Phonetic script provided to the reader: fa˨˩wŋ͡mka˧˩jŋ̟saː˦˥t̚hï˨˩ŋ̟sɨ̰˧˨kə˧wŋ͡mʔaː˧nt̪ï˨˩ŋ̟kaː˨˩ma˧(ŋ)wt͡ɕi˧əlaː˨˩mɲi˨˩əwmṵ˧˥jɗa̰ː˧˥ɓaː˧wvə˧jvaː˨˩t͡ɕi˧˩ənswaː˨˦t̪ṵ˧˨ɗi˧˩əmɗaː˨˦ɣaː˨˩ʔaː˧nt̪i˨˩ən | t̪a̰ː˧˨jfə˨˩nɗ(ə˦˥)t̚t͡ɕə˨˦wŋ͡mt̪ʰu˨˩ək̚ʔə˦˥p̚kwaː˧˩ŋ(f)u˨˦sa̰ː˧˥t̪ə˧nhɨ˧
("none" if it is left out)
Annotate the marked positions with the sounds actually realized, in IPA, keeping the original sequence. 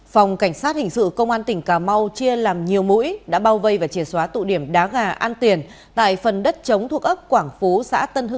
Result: none, ə˦˥, f

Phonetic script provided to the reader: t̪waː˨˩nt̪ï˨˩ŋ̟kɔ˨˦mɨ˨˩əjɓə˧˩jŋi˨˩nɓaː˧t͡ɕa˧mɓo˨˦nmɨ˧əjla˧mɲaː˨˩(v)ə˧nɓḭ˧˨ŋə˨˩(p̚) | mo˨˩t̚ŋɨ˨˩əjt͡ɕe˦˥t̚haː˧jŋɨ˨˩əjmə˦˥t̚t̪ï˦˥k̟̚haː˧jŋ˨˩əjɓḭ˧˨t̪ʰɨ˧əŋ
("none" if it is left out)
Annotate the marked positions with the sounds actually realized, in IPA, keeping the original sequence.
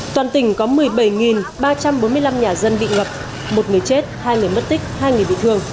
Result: z, p̚

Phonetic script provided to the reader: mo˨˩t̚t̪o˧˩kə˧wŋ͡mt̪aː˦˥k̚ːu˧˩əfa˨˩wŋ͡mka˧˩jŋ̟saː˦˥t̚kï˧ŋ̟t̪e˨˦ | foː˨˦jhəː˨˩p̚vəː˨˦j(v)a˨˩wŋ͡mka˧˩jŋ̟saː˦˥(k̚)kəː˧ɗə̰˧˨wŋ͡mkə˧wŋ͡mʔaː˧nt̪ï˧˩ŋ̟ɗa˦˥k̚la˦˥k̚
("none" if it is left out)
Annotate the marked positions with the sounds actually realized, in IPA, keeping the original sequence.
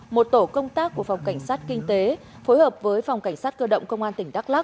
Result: f, t̚

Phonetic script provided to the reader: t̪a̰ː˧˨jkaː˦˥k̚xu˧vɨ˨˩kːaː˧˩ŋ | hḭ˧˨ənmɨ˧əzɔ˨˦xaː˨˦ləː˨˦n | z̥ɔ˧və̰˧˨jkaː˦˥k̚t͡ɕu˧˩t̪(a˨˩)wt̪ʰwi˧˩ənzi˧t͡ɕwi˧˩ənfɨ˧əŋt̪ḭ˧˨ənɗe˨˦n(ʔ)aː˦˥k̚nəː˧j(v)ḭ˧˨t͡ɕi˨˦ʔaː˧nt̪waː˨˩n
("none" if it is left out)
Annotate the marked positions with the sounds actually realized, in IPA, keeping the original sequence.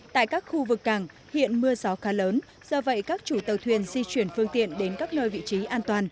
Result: ə˨˩, k, v

